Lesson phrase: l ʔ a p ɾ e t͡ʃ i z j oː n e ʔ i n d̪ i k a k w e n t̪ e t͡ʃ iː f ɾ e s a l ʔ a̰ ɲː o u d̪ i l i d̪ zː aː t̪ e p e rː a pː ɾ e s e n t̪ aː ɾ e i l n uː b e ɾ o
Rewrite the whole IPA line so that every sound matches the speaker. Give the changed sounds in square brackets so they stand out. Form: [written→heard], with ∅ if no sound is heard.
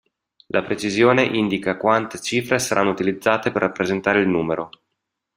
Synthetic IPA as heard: l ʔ a p ɾ e t͡ʃ i z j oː n e ʔ i n d̪ i k a k w [e→a] n t̪ e t͡ʃ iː f ɾ e s a [l→ɾ] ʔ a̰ [ɲː→nː] o u [d̪→t̪] i l i d̪ zː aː t̪ e p e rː a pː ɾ e [s→z] e n t̪ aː ɾ e i l n uː [b→m] e ɾ o